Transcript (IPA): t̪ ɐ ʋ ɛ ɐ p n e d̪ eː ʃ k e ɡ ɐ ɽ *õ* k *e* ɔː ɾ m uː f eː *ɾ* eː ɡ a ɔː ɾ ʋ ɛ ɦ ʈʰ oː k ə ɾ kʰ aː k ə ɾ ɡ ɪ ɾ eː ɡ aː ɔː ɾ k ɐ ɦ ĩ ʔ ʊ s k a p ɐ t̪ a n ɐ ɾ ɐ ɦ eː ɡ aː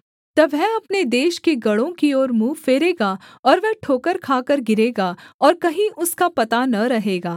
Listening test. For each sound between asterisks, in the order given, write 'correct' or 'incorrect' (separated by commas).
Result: correct, incorrect, correct